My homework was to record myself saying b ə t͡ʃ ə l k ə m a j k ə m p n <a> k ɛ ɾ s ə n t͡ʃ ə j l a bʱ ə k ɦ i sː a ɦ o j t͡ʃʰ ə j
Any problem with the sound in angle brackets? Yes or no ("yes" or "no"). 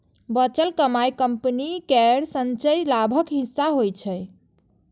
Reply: yes